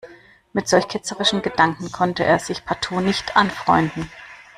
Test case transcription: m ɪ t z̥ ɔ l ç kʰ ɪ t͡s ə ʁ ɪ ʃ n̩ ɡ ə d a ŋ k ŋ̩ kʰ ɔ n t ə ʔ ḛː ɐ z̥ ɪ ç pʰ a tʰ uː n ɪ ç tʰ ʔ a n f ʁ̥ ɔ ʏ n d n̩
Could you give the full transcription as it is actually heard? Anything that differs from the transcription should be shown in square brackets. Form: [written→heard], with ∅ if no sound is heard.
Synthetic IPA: m ɪ t z̥ ɔ l ç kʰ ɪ t͡s ə ʁ ɪ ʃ n̩ ɡ ə d a ŋ k ŋ̩ kʰ ɔ n t ə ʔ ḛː ɐ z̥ ɪ ç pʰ a tʰ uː n ɪ ç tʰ ʔ a n f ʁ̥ ɔ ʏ n d n̩